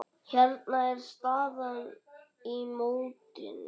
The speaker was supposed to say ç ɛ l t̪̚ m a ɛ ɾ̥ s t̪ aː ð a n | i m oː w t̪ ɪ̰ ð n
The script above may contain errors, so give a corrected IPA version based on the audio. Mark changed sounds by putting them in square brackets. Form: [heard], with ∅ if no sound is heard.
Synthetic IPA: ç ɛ [ɾ] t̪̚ [n] a ɛ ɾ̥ s t̪ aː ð a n | i m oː w t̪ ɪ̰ [∅] n